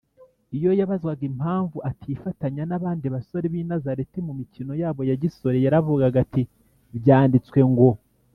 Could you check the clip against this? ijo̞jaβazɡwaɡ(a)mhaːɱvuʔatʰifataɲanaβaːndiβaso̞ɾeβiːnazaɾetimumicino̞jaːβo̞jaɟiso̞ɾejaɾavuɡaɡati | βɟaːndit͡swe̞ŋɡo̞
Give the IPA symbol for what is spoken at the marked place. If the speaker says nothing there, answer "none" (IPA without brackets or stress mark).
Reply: i